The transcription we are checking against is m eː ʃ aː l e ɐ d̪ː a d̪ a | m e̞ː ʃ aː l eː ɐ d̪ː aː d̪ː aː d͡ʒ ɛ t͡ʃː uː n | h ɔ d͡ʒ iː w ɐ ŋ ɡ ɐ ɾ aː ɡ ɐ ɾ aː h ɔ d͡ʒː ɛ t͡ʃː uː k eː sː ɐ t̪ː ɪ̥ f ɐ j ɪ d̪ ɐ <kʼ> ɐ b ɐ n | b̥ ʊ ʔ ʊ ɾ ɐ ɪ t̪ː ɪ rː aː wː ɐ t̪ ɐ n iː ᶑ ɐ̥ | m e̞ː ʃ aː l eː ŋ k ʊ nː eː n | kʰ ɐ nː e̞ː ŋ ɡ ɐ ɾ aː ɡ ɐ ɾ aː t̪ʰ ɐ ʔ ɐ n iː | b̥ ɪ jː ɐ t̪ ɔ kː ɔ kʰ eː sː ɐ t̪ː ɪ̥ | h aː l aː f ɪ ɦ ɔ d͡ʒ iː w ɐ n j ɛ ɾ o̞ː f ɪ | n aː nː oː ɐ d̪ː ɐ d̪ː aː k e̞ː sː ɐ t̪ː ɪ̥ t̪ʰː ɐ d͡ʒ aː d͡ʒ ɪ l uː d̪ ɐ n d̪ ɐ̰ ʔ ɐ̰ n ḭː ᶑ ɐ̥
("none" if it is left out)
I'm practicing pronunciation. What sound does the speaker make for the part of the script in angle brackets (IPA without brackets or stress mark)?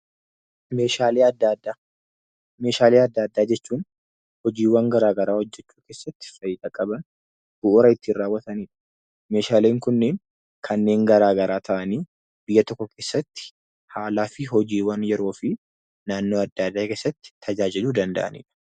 kʼ